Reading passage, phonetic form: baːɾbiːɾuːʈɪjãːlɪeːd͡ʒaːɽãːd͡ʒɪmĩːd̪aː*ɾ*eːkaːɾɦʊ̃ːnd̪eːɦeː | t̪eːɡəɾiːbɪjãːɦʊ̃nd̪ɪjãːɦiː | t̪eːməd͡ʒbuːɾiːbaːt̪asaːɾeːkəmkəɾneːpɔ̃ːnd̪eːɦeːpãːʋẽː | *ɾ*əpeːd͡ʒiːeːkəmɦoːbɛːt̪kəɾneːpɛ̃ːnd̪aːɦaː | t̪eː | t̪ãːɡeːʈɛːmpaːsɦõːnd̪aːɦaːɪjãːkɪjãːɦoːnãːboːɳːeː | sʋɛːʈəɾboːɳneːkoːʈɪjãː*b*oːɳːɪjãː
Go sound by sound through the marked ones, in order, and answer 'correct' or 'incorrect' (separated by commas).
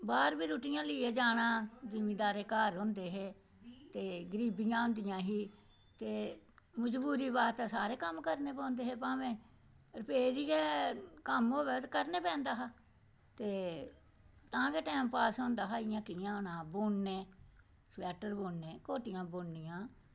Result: correct, correct, correct